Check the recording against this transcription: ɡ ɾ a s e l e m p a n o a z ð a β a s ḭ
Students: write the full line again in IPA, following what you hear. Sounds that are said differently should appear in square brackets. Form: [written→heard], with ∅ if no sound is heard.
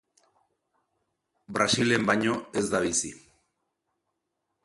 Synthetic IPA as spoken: [ɡ→b] ɾ a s [e→i] l e m [p→b] a [n→ɲ] o [a→e] z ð a β [a→i] s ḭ